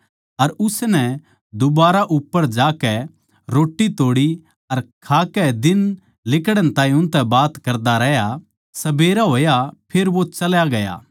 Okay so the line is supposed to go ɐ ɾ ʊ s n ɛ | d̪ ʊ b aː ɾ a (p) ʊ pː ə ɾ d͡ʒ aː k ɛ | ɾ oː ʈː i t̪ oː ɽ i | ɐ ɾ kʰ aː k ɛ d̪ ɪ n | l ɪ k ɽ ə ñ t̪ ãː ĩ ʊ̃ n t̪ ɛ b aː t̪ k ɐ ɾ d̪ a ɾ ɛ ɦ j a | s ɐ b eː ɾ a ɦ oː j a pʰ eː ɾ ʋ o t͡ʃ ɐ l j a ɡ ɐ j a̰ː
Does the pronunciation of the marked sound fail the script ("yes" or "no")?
yes